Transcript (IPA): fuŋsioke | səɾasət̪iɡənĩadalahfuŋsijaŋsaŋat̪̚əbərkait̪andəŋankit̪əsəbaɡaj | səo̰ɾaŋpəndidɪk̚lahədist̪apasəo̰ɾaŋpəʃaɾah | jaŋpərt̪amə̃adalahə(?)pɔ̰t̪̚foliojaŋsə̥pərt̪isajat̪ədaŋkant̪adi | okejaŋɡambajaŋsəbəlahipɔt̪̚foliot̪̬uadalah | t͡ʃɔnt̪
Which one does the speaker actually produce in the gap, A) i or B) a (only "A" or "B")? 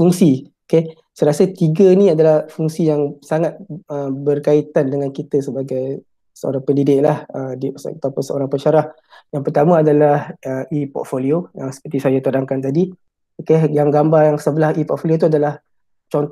A